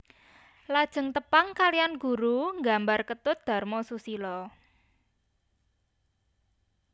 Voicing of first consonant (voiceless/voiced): voiced